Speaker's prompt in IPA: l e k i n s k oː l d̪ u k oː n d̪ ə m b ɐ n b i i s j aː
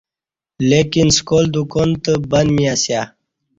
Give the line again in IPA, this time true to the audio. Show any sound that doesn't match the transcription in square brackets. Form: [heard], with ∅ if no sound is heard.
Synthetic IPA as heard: l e k i n s k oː l d̪ u k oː n [t̪] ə [∅] b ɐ n [m] i [a] s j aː